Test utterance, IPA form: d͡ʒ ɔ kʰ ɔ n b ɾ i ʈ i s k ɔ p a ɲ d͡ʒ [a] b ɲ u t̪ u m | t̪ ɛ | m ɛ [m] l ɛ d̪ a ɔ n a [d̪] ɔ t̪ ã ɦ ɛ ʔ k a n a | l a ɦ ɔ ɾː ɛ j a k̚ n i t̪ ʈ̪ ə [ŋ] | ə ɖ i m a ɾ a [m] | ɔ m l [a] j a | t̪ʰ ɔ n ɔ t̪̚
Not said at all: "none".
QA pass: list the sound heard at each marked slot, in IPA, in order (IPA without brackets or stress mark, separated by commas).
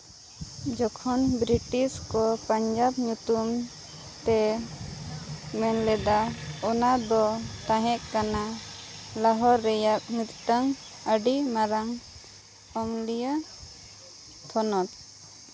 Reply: a, n, d̪, ŋ, ŋ, i